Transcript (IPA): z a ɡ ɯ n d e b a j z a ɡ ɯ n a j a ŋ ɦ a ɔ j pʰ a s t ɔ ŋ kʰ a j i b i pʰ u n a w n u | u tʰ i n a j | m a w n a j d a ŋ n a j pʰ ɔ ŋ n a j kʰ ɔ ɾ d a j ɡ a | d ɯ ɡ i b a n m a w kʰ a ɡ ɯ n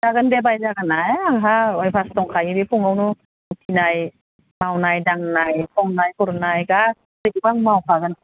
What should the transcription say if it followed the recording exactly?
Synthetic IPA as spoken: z a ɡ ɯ n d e b a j z a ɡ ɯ n a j a ŋ ɦ a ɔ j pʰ a s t ɔ ŋ kʰ a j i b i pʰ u ŋ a w n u | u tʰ i n a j | m a w n a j d a ŋ n a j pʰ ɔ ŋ n a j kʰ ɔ ɾ n a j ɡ a | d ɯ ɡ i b a ŋ m a w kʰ a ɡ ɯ n